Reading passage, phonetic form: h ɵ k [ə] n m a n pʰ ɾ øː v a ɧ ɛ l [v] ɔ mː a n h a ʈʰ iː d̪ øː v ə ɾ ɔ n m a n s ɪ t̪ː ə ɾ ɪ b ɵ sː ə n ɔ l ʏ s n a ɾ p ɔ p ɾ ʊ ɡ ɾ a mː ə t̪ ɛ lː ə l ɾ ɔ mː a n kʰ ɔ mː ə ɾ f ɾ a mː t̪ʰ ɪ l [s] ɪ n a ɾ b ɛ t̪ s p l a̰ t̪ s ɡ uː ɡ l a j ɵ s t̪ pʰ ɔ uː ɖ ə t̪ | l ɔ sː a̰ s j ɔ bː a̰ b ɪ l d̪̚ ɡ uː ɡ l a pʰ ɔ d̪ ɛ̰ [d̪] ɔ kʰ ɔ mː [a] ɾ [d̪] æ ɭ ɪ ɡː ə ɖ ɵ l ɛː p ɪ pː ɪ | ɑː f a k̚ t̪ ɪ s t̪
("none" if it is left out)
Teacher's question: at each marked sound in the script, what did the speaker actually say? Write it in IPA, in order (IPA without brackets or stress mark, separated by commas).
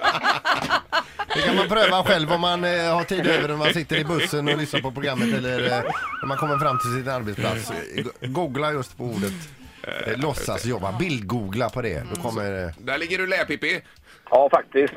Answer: a, v, s, d̪, ə, d̪